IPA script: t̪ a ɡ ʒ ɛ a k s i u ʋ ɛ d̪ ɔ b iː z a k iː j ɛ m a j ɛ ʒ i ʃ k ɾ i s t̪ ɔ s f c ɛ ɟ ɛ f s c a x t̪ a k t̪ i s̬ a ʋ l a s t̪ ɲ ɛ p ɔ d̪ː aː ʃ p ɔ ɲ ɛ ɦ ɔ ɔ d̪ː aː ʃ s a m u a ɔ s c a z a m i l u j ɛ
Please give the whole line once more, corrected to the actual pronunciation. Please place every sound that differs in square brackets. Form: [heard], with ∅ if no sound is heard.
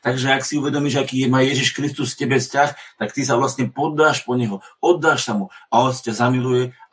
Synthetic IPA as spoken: t̪ a ɡ ʒ ɛ a k s i u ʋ ɛ d̪ ɔ [m] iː [ʒ] a k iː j ɛ m a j ɛ ʒ i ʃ k ɾ i s t̪ [u] s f c ɛ [b] ɛ f s c a x t̪ a k t̪ i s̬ a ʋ l a s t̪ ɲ ɛ p ɔ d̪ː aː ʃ p ɔ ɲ ɛ ɦ ɔ ɔ d̪ː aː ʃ s a m u a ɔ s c a z a m i l u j ɛ